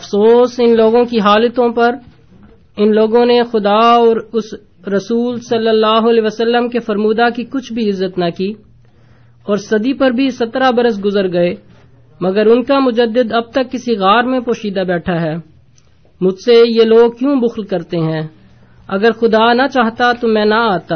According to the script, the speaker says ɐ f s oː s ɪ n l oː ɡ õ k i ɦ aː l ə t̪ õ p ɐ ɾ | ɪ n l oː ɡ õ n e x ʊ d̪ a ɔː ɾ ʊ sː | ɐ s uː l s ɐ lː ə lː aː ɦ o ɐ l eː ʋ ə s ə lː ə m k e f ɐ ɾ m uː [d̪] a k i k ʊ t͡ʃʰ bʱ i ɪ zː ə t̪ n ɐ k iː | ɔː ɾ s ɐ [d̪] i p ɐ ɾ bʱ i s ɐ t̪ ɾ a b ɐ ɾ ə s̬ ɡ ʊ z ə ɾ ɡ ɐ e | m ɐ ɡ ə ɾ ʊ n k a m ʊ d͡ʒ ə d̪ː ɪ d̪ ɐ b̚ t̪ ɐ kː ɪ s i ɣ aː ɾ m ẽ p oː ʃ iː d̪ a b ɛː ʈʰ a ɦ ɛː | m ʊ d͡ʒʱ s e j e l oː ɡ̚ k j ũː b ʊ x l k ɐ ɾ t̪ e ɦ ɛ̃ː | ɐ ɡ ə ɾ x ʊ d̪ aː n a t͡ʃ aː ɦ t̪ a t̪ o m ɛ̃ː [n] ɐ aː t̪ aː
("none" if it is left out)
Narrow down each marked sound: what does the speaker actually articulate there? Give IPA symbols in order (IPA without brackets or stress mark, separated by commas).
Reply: d̪, d̪, n